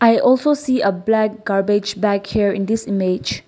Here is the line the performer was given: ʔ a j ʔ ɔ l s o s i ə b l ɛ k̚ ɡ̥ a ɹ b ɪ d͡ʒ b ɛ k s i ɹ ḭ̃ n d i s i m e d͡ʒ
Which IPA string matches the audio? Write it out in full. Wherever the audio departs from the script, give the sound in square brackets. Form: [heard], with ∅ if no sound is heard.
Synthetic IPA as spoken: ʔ a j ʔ ɔ l s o s i ə b l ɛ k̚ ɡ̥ a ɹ b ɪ d͡ʒ b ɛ k [h] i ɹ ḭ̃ n d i s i m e d͡ʒ